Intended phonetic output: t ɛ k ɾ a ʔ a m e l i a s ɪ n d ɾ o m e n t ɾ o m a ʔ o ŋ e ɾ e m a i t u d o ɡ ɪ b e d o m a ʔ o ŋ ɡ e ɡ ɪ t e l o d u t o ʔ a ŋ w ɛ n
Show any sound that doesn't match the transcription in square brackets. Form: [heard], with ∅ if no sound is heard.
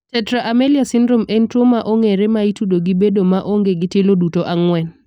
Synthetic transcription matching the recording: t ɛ [t] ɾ a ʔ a m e l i a s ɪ n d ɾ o m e n t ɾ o m a ʔ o ŋ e ɾ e m a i t u d o ɡ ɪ b e d o m a ʔ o ŋ ɡ e ɡ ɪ t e l o d u t o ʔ a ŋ w ɛ n